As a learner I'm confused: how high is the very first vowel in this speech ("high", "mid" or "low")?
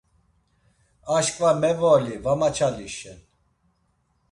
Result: low